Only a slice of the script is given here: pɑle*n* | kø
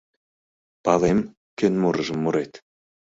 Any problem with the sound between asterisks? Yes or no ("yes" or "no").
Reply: yes